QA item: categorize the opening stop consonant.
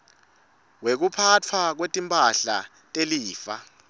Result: plain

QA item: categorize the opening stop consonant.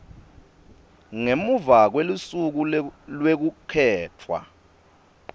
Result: plain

